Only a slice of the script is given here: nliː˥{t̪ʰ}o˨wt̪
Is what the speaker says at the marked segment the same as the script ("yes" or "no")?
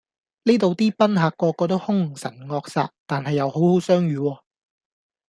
no